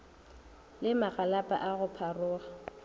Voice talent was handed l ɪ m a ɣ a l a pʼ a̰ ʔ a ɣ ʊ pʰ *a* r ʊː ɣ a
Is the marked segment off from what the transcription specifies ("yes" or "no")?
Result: no